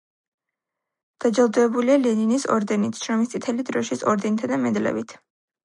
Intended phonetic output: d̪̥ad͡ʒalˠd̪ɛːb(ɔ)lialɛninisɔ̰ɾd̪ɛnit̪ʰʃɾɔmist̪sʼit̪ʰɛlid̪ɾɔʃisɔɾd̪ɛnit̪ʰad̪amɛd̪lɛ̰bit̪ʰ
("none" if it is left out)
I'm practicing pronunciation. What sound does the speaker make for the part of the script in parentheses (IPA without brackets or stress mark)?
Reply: u